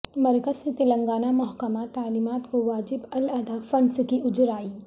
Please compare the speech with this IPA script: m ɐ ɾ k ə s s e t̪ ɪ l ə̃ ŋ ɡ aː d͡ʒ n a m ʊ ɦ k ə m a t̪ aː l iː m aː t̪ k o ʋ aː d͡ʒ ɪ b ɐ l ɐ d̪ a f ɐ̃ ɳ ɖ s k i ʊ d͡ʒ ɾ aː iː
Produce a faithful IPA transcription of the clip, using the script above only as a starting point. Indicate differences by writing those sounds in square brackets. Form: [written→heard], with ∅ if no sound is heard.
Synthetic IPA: m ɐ ɾ k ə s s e t̪ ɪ l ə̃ ŋ ɡ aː [d͡ʒ→∅] n a m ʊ ɦ k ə m a t̪ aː l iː m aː t̪ k o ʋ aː d͡ʒ ɪ b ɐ l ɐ d̪ a f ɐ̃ ɳ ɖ s k i ʊ d͡ʒ ɾ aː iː